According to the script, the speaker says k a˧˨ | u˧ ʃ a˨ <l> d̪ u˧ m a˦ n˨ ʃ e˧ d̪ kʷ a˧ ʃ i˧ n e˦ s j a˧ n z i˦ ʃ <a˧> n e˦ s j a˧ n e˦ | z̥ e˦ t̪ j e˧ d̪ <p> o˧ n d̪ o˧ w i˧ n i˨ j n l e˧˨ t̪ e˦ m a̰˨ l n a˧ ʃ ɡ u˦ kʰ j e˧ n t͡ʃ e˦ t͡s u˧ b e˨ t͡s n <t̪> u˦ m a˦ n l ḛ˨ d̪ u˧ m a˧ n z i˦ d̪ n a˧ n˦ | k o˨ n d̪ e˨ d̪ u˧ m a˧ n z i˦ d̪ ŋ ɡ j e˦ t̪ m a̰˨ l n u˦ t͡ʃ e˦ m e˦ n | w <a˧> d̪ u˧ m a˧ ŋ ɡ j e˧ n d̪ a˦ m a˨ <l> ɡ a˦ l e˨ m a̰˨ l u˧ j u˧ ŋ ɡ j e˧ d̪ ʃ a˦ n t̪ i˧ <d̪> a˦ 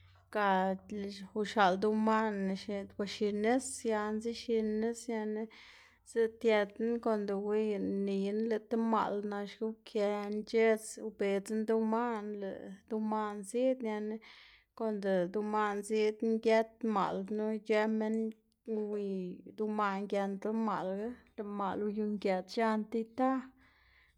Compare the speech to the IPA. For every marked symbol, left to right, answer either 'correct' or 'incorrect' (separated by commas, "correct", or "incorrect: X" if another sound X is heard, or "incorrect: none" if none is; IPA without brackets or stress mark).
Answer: correct, incorrect: i˧, incorrect: k, incorrect: d̪, incorrect: i˧, correct, incorrect: t̪